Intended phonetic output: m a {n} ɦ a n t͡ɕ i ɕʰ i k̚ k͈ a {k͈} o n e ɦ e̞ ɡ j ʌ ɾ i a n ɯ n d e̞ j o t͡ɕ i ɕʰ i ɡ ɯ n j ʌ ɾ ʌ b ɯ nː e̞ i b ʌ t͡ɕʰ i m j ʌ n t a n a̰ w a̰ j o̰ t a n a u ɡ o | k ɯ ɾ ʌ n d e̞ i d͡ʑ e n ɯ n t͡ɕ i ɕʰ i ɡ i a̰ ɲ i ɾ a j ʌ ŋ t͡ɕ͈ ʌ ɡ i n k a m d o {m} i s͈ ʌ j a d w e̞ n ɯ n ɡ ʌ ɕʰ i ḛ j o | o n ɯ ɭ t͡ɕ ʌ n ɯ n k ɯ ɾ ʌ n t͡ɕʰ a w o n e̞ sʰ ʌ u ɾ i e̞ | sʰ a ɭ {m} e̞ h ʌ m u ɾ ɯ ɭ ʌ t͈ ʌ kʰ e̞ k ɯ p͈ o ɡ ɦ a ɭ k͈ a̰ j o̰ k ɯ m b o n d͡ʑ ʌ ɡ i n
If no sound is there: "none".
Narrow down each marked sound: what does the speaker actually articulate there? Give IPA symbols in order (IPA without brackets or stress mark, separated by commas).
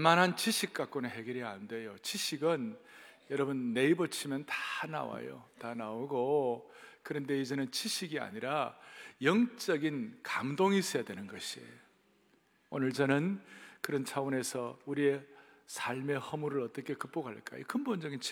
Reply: n, k͈, ŋ, m